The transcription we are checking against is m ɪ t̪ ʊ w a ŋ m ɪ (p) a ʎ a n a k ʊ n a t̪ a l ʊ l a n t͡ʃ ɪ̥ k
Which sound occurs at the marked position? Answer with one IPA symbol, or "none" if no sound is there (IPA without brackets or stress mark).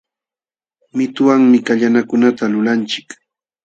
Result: k